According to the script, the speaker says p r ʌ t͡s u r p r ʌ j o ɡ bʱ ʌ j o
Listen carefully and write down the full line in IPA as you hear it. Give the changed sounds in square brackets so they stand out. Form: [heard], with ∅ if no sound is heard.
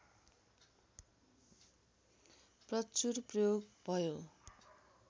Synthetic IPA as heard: p r ʌ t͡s u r p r ʌ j o ɡ bʱ ʌ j o